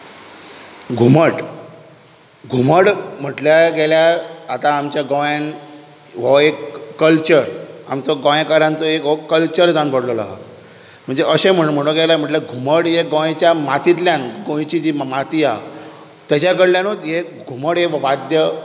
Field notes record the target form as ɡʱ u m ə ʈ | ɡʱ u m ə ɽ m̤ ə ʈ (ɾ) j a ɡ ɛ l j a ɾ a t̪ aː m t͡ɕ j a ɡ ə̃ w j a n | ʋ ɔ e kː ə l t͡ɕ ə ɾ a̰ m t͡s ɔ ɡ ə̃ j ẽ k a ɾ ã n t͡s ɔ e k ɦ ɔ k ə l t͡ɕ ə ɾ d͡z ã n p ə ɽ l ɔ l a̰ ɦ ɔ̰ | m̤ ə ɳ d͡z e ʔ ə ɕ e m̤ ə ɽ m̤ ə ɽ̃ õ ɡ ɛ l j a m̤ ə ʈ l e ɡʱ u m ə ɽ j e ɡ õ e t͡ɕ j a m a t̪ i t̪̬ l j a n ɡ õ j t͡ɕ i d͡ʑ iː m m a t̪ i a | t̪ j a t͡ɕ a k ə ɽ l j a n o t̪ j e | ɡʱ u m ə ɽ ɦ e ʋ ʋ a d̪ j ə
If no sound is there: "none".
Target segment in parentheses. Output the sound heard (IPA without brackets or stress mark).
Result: l